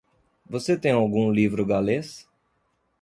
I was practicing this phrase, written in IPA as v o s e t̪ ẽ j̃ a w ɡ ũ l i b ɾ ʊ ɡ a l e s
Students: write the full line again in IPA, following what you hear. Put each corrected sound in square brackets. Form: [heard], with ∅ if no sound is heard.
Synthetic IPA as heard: v o s e t̪ ẽ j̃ a w ɡ ũ l i [v] ɾ ʊ ɡ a l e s